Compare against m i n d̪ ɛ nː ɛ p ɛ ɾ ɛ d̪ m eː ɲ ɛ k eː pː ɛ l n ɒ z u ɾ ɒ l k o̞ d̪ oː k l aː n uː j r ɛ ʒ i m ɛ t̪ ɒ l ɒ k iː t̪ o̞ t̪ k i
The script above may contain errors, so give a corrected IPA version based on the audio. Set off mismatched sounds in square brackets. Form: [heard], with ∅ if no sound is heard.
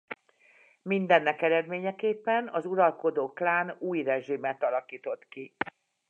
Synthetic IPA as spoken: m i n d̪ ɛ nː ɛ [k] ɛ ɾ ɛ d̪ m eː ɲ ɛ k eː pː ɛ [∅] n ɒ z u ɾ ɒ l k o̞ d̪ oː k l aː n uː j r ɛ ʒ i m ɛ t̪ ɒ l ɒ k iː t̪ o̞ t̪ k i